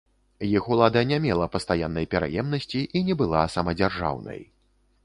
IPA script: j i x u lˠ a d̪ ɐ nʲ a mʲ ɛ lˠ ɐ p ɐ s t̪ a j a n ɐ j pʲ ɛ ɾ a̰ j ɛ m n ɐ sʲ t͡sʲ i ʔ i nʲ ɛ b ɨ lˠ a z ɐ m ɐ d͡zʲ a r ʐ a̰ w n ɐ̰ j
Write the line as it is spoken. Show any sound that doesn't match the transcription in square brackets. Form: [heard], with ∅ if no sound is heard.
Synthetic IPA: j i x u lˠ a d̪ ɐ nʲ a mʲ ɛ lˠ ɐ p ɐ s t̪ a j a [nː] ɐ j pʲ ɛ ɾ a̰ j ɛ m n ɐ sʲ t͡sʲ i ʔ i nʲ ɛ b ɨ lˠ a [s] ɐ m ɐ d͡zʲ a r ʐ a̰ w n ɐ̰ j